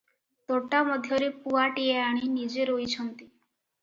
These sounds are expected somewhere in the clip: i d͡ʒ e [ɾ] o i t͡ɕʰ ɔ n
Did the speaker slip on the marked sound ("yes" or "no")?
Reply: no